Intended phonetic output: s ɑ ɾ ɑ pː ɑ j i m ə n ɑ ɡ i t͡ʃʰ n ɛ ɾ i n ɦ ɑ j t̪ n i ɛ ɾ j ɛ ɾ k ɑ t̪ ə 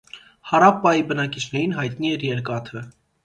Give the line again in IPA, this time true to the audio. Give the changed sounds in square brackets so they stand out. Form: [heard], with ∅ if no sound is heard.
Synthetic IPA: [h] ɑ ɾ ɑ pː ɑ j i [b] ə n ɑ [k] i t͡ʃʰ n ɛ ɾ i n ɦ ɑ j t̪ n i ɛ ɾ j ɛ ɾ k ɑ [t̪ʰ] ə